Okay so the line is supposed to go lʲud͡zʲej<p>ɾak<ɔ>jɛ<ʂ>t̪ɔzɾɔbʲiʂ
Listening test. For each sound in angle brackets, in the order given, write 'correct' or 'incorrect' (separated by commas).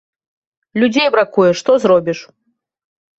incorrect, incorrect, correct